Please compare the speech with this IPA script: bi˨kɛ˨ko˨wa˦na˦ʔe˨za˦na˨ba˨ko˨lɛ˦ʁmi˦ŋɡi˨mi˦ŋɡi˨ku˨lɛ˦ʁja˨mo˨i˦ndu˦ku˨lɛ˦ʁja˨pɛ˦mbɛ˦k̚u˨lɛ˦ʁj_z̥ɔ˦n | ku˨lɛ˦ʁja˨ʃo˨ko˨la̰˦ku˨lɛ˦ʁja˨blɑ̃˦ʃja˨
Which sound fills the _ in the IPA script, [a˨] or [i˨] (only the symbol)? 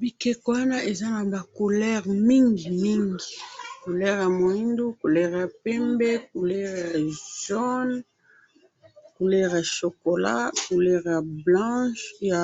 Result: a˨